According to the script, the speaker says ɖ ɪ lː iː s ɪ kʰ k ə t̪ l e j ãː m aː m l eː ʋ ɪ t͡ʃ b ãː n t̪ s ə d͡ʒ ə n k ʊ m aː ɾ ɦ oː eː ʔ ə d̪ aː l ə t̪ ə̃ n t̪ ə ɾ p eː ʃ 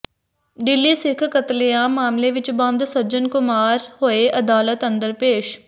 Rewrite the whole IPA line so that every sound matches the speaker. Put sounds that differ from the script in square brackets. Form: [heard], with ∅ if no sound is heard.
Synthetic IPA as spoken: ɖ ɪ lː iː s ɪ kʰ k ə t̪ l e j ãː m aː m l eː ʋ ɪ t͡ʃ b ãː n [d̪] s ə d͡ʒ ə n k ʊ m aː ɾ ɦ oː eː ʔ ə d̪ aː l ə t̪ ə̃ n [d̪] ə ɾ p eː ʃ